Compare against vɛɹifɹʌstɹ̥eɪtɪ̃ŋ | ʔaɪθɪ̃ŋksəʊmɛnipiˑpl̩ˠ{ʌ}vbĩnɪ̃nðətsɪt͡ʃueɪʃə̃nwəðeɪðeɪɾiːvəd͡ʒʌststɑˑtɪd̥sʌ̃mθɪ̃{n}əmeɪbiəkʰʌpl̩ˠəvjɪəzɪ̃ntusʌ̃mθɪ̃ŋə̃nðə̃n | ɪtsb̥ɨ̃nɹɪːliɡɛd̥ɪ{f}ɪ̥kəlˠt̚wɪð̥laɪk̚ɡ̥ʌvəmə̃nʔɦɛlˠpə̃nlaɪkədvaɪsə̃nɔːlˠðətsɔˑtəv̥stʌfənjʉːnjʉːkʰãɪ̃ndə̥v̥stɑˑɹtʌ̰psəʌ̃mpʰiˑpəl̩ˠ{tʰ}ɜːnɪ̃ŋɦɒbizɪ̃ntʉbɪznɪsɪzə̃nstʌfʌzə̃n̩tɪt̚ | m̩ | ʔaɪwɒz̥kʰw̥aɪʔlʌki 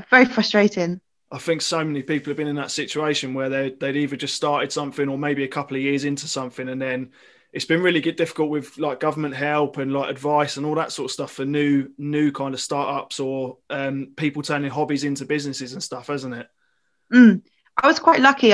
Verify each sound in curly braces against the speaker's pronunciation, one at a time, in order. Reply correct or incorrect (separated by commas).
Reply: incorrect, incorrect, correct, correct